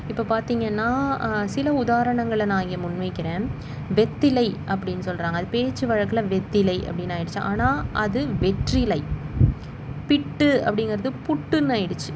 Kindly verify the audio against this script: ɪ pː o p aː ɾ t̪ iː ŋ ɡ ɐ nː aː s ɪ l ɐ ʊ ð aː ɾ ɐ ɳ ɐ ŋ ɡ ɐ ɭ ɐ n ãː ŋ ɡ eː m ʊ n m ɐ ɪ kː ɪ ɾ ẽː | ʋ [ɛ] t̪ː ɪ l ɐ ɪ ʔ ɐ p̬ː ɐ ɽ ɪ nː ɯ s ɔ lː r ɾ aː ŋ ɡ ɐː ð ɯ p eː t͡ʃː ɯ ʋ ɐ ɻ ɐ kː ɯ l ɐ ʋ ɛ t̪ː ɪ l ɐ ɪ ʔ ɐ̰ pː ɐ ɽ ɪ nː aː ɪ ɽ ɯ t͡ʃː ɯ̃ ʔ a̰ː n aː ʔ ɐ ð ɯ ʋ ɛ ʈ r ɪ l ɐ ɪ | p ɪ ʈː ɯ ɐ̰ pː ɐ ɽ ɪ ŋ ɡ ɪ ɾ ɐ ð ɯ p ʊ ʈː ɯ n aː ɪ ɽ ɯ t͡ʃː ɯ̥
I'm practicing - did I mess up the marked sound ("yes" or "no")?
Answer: no